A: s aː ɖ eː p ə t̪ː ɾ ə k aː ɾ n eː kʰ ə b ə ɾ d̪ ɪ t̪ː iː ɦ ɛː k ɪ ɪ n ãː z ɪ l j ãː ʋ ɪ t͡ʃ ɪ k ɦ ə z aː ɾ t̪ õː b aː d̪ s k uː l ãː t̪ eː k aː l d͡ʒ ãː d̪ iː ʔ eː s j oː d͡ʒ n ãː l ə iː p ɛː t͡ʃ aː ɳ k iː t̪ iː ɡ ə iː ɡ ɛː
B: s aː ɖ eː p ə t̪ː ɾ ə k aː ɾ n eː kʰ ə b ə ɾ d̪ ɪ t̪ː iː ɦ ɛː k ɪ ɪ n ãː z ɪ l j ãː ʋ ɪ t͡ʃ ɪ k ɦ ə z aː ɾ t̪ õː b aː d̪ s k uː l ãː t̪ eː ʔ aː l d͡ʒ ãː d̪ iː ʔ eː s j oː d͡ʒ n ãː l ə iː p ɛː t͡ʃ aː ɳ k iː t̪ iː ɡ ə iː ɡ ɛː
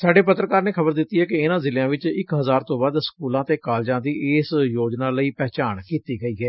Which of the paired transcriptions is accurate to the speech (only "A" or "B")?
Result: A